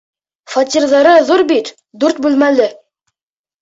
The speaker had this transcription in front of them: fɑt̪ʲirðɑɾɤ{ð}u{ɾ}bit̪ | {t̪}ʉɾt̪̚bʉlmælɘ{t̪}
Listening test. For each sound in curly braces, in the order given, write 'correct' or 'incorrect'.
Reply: correct, correct, incorrect, incorrect

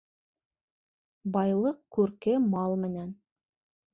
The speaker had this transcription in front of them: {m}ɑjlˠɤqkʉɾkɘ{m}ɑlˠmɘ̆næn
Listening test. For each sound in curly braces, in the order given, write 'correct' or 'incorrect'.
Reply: incorrect, correct

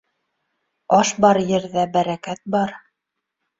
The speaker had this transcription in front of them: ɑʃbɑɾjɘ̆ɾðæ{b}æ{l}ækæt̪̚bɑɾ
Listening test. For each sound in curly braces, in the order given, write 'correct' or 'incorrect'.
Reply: correct, incorrect

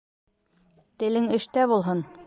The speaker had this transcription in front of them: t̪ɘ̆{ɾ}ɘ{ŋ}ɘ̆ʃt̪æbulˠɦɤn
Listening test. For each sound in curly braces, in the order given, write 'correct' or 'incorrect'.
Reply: incorrect, correct

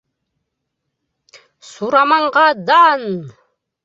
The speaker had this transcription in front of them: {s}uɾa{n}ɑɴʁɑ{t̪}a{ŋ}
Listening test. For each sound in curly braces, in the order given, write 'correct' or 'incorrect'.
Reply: correct, incorrect, incorrect, incorrect

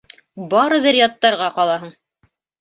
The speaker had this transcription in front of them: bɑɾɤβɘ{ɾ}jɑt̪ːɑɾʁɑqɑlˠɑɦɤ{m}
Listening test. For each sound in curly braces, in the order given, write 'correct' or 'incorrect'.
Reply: correct, incorrect

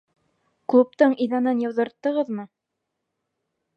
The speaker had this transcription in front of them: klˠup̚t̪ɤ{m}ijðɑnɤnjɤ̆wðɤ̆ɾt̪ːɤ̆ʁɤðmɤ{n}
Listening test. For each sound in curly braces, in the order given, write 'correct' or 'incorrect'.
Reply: incorrect, incorrect

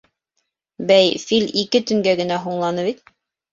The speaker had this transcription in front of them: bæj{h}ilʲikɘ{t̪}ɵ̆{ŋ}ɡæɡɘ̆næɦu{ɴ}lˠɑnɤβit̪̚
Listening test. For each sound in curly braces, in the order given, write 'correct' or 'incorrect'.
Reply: incorrect, correct, correct, correct

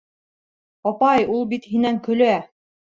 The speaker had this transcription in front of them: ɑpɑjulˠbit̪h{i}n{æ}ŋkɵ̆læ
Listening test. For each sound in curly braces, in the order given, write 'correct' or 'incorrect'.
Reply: correct, correct

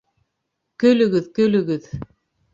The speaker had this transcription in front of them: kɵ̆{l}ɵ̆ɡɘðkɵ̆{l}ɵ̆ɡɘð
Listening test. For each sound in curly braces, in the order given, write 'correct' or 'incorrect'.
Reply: correct, correct

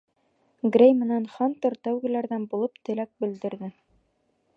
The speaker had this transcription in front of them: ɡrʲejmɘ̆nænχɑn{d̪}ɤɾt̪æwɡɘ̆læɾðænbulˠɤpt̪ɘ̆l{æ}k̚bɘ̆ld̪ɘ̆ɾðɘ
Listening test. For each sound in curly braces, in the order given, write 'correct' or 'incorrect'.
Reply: incorrect, correct

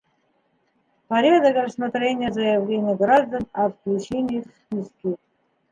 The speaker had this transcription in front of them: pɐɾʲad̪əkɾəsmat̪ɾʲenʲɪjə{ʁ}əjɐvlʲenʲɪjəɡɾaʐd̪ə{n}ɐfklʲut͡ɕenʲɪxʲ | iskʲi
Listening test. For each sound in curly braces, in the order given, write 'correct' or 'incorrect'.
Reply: incorrect, correct

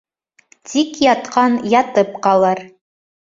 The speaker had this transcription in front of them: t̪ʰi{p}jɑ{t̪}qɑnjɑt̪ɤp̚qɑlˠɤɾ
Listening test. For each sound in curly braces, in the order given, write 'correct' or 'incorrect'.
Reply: incorrect, correct

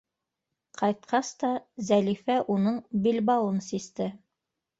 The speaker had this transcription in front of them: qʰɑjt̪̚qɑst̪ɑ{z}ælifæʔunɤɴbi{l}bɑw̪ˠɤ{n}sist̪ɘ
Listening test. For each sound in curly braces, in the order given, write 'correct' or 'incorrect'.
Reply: correct, correct, correct

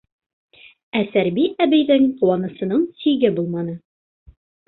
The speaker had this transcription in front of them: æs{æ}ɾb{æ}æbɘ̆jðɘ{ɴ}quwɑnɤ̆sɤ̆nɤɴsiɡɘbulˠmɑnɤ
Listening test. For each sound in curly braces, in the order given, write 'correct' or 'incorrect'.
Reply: correct, incorrect, incorrect

